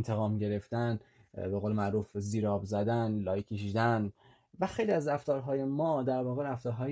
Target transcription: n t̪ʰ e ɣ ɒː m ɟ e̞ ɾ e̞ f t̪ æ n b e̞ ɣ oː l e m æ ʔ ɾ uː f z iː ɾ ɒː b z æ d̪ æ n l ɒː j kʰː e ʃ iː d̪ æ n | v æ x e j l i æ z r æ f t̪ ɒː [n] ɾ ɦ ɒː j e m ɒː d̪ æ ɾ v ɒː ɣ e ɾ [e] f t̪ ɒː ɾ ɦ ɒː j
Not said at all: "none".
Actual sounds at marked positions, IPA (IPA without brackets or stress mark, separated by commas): none, æ